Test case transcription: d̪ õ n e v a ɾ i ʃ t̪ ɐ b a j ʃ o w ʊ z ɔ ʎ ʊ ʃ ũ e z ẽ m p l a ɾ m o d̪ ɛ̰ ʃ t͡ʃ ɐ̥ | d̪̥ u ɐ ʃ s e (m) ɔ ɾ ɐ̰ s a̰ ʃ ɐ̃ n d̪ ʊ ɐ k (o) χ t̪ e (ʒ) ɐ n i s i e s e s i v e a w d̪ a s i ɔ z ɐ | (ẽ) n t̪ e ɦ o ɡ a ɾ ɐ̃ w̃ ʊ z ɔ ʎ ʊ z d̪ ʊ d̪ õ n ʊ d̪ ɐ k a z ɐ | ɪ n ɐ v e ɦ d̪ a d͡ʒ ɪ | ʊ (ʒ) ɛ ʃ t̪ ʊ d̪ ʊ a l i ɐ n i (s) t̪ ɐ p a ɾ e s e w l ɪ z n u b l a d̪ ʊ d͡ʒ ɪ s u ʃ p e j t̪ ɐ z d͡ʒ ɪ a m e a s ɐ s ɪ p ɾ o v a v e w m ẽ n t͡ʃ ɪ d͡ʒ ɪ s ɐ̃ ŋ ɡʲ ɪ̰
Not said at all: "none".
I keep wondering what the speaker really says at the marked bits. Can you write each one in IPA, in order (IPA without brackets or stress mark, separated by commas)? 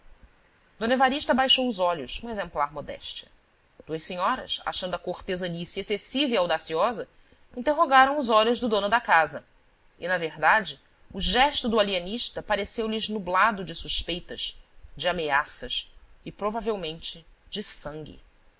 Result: ɲ, o, z, ĩ, ʒ, ʃ